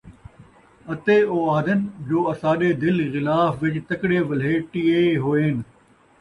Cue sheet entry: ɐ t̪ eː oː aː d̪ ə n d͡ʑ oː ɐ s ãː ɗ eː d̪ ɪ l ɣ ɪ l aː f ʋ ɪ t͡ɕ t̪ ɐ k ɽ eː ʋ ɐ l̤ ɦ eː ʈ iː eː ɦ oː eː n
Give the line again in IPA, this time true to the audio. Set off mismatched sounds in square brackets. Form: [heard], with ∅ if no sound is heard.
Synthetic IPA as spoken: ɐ t̪ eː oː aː d̪ ə n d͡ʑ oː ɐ s [aː] ɗ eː d̪ ɪ l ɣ ɪ l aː f ʋ ɪ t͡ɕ t̪ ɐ k ɽ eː ʋ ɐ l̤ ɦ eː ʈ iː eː ɦ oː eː n